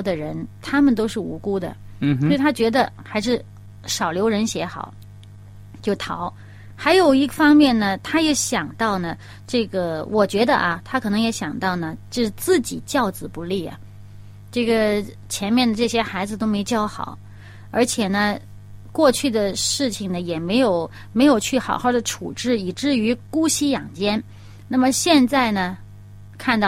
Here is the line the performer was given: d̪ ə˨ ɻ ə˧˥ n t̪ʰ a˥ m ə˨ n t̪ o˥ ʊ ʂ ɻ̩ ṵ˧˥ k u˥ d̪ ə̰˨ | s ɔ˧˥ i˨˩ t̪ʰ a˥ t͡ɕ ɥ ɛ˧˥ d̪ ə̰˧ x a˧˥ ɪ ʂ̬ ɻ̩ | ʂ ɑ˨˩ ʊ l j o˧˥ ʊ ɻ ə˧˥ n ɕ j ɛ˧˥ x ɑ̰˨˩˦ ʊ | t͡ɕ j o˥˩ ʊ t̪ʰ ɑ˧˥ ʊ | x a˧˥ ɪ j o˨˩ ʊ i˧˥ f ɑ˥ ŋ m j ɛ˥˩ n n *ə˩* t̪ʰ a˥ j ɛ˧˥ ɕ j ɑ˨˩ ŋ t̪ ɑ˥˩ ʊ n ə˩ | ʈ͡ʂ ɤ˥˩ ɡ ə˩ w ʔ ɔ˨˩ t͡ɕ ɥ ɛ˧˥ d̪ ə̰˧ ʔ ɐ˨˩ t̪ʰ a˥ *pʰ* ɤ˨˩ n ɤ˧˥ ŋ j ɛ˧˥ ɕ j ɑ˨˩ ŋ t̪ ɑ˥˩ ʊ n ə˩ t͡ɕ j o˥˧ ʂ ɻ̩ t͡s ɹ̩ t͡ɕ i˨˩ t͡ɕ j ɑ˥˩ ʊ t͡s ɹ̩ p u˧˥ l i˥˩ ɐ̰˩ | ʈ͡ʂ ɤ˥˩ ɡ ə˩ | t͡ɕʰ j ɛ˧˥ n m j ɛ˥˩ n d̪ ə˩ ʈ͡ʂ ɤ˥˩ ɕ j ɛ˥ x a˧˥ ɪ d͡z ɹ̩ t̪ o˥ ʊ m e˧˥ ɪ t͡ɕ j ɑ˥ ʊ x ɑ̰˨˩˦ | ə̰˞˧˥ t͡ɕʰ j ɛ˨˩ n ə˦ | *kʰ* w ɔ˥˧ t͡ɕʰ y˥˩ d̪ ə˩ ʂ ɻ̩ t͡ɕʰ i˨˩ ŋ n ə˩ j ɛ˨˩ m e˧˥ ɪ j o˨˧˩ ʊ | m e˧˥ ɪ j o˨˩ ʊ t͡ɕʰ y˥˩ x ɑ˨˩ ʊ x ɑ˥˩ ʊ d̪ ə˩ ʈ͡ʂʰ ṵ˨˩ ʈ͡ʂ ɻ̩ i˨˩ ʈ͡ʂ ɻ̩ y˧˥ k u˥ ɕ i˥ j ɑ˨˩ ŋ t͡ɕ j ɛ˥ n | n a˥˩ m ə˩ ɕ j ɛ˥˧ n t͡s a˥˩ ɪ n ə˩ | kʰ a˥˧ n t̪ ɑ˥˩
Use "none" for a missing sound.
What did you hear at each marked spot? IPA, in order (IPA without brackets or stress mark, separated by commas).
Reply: ə˩, kʰ, k